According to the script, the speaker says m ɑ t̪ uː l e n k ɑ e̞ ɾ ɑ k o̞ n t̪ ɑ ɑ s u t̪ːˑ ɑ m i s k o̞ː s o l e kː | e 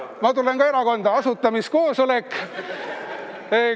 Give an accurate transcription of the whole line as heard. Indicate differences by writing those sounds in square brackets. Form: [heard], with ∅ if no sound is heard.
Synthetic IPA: m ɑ t̪ [u] l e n k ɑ e̞ ɾ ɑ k o̞ n [d̪] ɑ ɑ s u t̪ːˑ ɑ m i s k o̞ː s o l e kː | e